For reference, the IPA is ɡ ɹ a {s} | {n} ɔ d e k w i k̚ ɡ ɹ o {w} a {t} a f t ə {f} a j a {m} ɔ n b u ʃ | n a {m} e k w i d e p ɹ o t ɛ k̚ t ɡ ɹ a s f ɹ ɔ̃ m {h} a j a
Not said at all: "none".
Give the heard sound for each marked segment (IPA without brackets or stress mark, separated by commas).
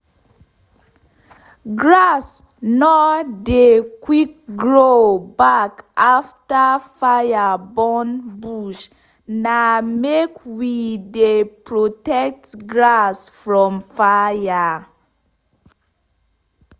s, n, b, k, f, b, m, f